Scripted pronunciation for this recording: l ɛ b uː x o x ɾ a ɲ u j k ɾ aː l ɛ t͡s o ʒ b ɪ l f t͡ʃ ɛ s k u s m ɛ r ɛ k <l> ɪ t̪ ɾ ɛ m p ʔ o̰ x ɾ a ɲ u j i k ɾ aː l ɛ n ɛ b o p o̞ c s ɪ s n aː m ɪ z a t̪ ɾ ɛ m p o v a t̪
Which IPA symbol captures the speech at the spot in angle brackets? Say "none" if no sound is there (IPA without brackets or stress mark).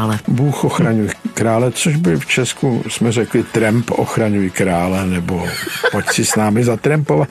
l